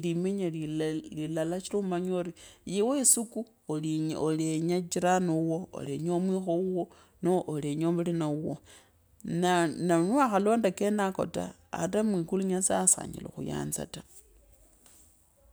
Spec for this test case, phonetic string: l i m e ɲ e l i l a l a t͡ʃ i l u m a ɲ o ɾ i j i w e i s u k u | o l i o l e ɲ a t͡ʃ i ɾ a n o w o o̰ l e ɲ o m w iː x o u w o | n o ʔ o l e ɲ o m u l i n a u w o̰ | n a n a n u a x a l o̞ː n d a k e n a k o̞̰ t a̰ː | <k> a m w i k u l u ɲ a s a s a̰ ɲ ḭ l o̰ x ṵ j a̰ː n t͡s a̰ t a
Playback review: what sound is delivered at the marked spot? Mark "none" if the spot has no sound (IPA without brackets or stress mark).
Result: t